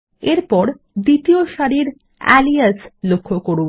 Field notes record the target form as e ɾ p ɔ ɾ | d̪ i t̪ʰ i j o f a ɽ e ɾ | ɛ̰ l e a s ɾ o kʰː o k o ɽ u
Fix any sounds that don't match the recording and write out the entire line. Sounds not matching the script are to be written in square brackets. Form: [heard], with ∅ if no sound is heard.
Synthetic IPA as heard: e ɾ p ɔ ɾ | d̪ i [t̪] i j o [ʃ] a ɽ [i] ɾ | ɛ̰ l [i] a s [l] o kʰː o k o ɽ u